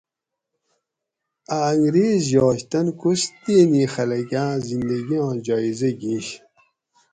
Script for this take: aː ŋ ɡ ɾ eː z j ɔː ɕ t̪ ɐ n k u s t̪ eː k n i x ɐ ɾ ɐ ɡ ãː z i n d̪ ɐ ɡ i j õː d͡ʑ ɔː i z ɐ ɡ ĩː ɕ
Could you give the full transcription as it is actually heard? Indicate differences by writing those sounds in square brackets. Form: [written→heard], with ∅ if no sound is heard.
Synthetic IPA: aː ŋ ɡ ɾ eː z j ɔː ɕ t̪ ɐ n k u s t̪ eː [k→∅] n i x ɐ [ɾ→l] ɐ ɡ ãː z i n d̪ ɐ ɡ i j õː d͡ʑ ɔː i z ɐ ɡ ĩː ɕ